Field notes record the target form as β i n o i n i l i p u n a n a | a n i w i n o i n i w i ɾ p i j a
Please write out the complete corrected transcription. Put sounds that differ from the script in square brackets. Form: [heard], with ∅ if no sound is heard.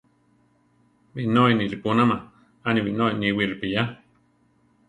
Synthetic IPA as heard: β i n o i n i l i p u n a [m] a | a n i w i n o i n i w i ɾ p i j a